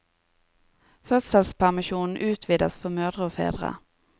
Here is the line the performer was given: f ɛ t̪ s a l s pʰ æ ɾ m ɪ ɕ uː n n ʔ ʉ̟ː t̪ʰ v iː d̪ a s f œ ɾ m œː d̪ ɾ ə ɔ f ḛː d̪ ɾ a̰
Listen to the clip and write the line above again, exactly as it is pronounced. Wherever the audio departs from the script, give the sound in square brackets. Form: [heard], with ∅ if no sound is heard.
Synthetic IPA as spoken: f [œ] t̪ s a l s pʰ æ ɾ m ɪ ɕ uː n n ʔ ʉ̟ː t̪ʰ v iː d̪ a s f œ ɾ m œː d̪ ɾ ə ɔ f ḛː d̪ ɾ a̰